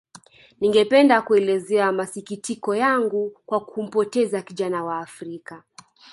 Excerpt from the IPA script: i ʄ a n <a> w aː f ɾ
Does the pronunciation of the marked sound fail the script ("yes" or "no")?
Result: no